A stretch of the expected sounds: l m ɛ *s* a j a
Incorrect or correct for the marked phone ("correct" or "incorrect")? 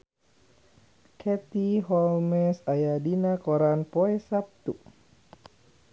correct